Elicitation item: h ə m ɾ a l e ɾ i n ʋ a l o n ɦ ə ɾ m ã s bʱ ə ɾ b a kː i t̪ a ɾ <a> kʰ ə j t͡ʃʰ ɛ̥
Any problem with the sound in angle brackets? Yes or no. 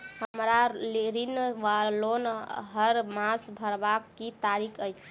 yes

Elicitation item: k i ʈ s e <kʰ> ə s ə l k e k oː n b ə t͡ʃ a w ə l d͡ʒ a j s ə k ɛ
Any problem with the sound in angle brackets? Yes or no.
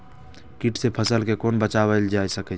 yes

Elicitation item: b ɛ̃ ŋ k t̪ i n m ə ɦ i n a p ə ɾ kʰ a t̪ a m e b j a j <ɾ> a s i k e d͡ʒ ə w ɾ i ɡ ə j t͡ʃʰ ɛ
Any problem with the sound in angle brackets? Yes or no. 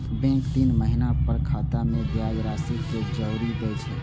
no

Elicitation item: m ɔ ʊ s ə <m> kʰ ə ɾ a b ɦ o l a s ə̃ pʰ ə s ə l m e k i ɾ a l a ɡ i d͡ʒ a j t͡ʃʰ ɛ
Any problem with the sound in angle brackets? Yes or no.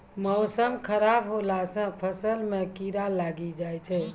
no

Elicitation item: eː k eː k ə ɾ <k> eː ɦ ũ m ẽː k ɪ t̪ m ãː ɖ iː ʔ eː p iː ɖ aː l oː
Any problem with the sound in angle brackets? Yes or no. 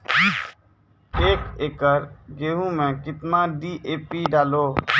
yes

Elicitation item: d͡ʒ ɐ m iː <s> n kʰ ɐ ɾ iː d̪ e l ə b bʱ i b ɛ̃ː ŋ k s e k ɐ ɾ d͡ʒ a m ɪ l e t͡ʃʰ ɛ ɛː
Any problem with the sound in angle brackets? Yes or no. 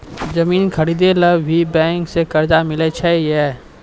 yes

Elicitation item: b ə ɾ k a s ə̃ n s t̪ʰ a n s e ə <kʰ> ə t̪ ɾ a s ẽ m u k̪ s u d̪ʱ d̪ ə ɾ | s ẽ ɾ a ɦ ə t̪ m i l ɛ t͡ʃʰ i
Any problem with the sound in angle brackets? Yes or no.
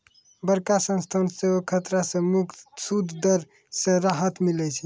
no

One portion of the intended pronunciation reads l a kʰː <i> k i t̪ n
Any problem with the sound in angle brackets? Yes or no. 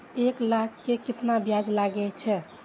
yes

